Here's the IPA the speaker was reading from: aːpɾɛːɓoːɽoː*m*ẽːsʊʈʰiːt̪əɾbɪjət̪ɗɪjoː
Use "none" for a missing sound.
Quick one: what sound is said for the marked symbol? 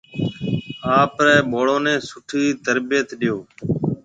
n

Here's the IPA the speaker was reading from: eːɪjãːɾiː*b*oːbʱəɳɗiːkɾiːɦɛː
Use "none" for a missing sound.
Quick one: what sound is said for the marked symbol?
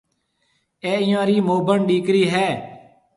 m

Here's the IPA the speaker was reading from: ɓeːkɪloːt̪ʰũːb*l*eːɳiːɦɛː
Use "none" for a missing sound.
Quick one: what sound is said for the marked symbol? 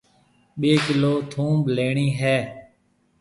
l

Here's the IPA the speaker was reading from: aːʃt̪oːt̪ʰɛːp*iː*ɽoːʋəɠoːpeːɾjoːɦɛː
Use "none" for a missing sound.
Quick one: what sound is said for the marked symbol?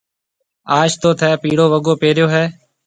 iː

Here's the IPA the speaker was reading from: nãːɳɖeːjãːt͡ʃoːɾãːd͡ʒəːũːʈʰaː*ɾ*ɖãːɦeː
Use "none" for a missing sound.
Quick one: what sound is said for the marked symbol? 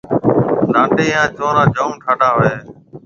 none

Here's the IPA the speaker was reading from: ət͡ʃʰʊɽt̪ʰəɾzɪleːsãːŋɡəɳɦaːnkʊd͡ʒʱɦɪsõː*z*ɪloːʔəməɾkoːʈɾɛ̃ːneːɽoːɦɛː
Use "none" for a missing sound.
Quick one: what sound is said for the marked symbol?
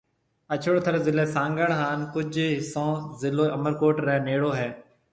z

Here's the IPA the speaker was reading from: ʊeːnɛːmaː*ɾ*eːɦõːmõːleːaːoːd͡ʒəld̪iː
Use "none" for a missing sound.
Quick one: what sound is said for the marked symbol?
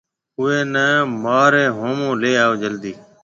ɾ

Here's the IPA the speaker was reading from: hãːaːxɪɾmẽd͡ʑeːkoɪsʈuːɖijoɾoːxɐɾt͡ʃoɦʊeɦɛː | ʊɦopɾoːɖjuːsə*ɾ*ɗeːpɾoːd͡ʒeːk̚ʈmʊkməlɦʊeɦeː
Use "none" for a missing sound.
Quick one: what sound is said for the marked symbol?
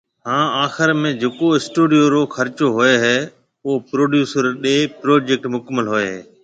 ɾ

